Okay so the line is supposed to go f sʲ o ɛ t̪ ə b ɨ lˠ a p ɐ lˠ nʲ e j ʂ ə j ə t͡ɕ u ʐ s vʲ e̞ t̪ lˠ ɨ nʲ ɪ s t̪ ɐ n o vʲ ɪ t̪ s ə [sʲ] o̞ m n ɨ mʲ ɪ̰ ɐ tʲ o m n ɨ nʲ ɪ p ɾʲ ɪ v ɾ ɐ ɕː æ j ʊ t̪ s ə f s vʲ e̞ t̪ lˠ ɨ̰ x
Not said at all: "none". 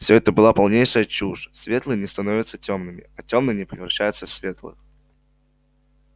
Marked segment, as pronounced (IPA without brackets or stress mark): tʲ